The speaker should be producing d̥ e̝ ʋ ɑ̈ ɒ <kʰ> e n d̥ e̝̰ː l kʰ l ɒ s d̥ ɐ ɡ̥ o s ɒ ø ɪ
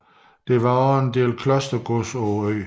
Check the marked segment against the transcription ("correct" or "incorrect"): incorrect